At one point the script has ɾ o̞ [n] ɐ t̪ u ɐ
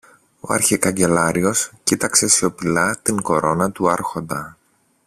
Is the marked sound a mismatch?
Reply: no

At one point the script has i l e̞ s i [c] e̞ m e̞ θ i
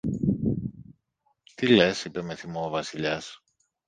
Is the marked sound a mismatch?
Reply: yes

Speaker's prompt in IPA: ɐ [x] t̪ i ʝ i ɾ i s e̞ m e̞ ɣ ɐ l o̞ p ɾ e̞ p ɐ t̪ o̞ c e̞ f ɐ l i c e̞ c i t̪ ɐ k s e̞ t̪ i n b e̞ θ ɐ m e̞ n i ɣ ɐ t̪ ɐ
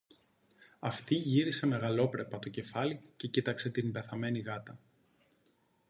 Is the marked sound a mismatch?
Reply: yes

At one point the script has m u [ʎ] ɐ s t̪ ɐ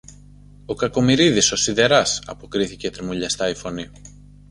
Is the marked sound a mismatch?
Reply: no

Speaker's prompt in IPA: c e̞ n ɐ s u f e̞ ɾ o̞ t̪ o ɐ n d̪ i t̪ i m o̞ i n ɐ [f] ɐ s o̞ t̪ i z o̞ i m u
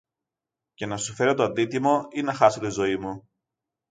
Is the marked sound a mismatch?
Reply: yes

